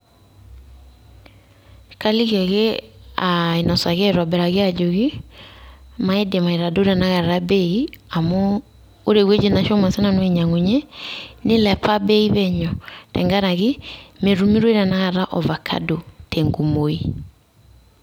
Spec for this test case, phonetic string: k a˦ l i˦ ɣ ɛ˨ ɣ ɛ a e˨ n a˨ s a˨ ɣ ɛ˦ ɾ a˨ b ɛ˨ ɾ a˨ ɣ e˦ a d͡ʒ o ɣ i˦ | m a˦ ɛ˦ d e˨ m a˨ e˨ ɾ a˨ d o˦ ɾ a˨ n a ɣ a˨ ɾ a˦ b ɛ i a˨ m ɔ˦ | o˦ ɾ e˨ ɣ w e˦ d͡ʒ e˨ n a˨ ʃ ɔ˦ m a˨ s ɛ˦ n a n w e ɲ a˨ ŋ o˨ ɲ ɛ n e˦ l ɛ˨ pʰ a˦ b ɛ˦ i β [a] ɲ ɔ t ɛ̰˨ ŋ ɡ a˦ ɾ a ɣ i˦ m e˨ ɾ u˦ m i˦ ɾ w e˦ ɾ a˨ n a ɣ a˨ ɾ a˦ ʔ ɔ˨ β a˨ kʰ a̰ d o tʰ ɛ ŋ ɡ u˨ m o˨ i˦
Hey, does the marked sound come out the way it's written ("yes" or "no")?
no